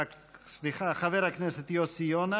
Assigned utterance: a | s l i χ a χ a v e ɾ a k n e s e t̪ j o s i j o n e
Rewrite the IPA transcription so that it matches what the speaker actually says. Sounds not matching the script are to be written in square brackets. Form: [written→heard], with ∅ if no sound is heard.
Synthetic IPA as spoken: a | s l i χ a χ a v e ɾ a k n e s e t̪ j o s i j o n [e→a]